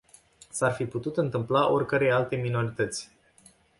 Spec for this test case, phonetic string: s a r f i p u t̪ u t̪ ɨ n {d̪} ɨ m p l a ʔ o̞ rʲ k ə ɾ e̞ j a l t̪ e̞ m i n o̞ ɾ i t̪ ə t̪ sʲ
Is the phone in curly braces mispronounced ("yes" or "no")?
yes